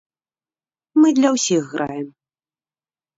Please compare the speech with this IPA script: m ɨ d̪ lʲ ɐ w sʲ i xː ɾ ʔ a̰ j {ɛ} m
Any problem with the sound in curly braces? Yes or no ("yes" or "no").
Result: no